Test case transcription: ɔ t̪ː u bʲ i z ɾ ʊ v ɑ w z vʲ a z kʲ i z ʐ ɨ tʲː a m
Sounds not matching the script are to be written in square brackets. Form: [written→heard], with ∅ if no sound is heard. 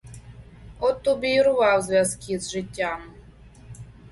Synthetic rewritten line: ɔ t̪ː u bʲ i [z→∅] ɾ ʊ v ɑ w z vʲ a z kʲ i z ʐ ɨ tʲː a m